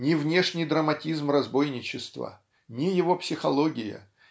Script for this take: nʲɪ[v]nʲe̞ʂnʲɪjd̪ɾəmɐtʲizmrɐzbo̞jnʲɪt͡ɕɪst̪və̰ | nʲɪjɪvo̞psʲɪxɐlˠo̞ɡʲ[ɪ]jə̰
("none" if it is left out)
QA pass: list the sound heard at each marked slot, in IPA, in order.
v, ɪ

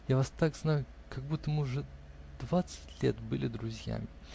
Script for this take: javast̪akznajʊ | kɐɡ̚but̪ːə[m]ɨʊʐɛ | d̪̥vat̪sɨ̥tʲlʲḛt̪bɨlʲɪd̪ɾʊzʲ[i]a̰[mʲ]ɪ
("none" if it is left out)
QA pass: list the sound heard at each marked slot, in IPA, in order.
m, j, mʲ

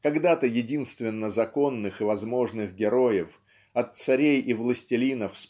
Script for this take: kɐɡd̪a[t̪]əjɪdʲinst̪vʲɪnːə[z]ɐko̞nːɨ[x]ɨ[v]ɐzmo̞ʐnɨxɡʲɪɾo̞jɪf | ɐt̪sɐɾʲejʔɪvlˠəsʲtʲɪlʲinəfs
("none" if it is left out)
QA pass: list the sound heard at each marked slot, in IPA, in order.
t̪, z, x, v

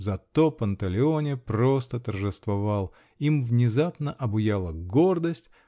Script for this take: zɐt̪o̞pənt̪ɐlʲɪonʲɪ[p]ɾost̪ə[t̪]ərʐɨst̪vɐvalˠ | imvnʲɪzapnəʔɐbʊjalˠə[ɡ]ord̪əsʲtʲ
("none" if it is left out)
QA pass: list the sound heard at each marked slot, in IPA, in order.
p, t̪, ɡ

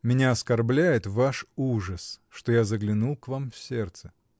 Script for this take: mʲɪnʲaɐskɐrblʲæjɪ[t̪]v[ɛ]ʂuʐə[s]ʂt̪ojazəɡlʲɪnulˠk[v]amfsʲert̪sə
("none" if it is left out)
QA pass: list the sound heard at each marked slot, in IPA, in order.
t̪, a, s, v

